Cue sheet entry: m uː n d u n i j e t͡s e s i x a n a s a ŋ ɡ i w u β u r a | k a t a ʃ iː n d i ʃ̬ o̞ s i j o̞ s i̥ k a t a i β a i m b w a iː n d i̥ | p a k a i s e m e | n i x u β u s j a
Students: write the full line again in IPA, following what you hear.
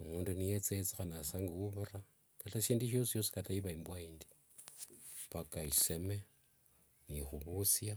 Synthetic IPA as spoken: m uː n d u n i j e t͡s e t͡s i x a n a s a ŋ ɡ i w u β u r a | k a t a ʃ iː n d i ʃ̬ o̞ s i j o̞ s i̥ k a t a i β a i m b w a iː n d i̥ | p a k a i s e m e | n i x u β u s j a